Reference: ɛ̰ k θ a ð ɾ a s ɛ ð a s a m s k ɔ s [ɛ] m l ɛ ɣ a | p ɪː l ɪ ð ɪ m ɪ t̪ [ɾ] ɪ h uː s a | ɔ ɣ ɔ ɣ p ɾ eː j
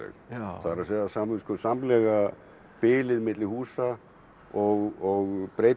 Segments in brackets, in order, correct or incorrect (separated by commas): incorrect, incorrect